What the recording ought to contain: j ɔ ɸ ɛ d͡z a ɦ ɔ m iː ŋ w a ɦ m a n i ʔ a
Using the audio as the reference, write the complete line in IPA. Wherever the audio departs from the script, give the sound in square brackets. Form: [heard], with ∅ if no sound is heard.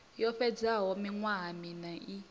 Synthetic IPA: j ɔ ɸ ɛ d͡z a ɦ ɔ m [i] ŋ w a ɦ m [i] n [a] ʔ [i]